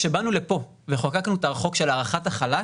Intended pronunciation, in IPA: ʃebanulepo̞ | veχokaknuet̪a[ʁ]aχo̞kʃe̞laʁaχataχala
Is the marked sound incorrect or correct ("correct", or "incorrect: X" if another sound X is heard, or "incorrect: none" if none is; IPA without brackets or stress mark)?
correct